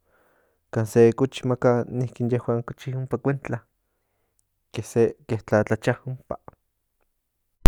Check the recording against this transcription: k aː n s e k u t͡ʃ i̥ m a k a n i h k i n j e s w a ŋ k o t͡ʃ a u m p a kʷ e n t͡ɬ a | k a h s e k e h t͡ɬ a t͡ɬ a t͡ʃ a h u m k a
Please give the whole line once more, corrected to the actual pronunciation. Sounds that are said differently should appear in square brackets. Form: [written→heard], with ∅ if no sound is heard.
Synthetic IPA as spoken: k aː n s e k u t͡ʃ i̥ m a k a n i h k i n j e [s→h] w a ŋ k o t͡ʃ [a→i] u m p a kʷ e n t͡ɬ a | k [a→e] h s e k e h t͡ɬ a t͡ɬ a t͡ʃ a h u m [k→p] a